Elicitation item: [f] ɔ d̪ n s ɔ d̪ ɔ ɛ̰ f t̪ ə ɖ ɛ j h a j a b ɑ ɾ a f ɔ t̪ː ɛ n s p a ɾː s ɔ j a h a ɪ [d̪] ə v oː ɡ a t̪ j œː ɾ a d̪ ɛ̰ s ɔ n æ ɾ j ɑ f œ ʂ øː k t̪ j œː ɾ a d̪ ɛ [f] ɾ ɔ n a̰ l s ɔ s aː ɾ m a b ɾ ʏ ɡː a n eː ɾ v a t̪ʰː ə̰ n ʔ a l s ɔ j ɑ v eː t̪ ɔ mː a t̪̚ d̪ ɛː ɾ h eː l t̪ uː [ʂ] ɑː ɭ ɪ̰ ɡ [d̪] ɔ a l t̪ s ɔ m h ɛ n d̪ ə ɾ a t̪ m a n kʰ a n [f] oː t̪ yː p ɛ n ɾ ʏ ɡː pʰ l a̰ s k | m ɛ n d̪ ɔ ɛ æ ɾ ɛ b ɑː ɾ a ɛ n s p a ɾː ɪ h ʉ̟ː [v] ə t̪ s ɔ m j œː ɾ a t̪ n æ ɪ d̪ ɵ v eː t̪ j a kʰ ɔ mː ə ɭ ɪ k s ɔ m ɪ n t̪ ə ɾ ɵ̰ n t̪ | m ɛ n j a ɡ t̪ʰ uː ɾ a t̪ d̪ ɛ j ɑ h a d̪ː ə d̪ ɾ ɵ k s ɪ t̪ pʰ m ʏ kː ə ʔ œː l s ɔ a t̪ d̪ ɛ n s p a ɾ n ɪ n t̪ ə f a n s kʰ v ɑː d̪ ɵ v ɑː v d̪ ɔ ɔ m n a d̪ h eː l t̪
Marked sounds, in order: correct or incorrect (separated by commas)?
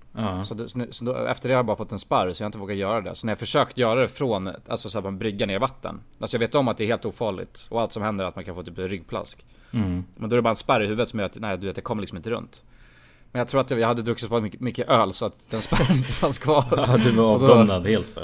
incorrect, incorrect, correct, incorrect, incorrect, correct, correct